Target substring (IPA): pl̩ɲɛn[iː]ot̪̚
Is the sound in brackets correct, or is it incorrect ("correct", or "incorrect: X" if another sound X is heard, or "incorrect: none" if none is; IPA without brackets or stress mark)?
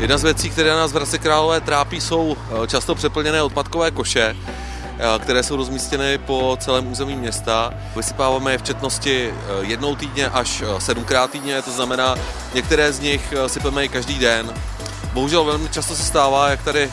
incorrect: ɛː